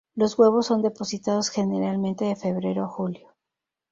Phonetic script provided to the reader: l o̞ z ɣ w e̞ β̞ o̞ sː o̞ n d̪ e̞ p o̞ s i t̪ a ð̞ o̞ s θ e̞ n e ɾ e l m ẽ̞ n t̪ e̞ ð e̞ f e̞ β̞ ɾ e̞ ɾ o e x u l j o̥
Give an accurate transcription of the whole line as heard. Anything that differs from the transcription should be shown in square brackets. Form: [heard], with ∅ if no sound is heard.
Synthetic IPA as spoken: l o̞ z ɣ w e̞ β̞ o̞ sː o̞ n d̪ e̞ p o̞ s i t̪ a ð̞ o̞ s [x] e̞ n e ɾ [a] l m ẽ̞ n t̪ e̞ ð e̞ f e̞ β̞ ɾ e̞ ɾ o [a] x u l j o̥